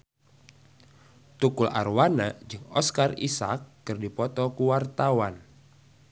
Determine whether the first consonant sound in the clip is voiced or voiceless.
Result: voiceless